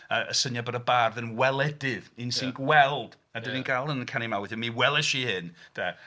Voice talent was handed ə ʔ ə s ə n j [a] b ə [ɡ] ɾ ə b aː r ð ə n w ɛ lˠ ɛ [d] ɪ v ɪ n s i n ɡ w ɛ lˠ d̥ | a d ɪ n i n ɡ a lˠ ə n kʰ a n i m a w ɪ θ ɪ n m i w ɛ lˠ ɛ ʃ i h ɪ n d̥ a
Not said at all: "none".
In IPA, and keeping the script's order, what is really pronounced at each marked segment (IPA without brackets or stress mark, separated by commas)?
a, none, d